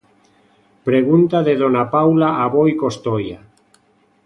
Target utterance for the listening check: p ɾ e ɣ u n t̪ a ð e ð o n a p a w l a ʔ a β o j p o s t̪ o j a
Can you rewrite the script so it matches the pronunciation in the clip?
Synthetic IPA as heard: p ɾ e ɣ u n t̪ a ð e ð o n a p a w l a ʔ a β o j k o s t̪ o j a